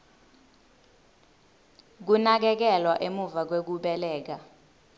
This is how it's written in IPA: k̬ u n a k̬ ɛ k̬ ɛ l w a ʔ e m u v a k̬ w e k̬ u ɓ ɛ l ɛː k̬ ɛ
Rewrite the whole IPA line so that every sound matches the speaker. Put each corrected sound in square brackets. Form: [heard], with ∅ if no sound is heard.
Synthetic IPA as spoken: k̬ u n a k̬ ɛ k̬ ɛ l w a ʔ e m u v a k̬ w e k̬ u ɓ ɛ l ɛː k̬ [a]